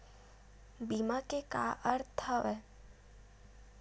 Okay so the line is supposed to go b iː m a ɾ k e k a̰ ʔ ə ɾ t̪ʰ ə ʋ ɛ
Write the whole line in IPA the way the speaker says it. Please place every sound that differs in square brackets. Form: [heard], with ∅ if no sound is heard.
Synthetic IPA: b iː m a [∅] k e k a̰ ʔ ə ɾ t̪ʰ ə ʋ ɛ